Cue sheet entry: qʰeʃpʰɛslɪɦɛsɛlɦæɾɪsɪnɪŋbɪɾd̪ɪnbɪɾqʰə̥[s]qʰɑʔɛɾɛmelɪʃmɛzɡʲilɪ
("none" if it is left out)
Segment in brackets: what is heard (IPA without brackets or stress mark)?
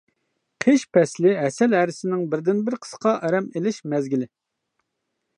s